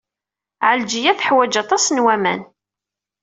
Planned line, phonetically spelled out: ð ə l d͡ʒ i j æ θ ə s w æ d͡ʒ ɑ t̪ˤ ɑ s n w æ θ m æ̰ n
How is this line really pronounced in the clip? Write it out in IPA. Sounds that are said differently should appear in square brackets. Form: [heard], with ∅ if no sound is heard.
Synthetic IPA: [ʕ] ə l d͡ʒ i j æ θ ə [ħ] w æ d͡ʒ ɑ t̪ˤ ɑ s n w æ [∅] m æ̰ n